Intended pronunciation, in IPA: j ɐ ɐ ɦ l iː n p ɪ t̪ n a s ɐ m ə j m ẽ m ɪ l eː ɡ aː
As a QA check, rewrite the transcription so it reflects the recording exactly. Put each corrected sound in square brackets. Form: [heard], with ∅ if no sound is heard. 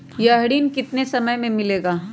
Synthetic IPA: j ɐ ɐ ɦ [ɽ] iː n [k] ɪ t̪ n [e] s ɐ m ə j m ẽ m ɪ l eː ɡ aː